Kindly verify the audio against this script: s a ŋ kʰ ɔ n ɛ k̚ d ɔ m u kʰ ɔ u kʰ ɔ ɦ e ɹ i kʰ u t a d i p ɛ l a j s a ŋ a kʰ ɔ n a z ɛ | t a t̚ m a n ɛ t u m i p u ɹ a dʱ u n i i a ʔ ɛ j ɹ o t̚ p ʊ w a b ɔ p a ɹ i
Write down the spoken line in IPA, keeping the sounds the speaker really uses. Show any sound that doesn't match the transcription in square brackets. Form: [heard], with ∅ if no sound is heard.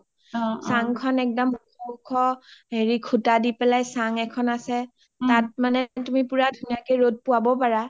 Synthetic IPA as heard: s a ŋ kʰ ɔ n ɛ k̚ d ɔ m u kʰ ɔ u kʰ ɔ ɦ e ɹ i kʰ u t a d i p ɛ l a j s a ŋ [ɛ] kʰ ɔ n a [s] ɛ | t a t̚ m a n ɛ t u m i p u ɹ a dʱ u n i [j] a [k] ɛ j ɹ o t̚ p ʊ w a b ɔ p a ɹ [a]